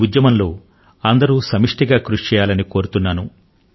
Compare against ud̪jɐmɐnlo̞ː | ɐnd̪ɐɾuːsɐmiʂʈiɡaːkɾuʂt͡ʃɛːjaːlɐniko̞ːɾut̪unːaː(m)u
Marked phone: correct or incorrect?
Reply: incorrect